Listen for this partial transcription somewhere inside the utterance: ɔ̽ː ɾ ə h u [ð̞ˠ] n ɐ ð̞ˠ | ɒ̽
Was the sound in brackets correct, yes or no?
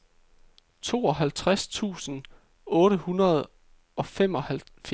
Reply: no